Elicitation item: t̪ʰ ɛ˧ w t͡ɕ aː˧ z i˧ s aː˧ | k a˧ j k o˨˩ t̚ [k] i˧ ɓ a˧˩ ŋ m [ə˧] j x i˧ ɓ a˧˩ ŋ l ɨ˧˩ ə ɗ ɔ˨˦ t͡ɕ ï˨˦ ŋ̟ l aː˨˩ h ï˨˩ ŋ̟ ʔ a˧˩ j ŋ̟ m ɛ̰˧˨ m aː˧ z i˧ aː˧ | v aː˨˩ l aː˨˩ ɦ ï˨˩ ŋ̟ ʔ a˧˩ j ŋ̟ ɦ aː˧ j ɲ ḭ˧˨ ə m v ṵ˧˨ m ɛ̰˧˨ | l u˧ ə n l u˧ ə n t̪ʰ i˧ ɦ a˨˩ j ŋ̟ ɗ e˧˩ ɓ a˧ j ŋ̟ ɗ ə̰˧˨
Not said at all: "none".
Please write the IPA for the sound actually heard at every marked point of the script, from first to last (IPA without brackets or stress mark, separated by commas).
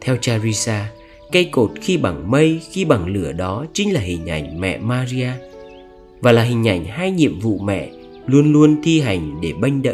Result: x, ə˧